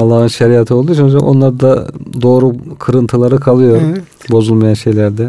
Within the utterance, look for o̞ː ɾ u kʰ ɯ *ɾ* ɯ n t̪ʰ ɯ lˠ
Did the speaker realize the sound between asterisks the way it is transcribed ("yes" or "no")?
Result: yes